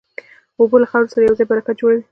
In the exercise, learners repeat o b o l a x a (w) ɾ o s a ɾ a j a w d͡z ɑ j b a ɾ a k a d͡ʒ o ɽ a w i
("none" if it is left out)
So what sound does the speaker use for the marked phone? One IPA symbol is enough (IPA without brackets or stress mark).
w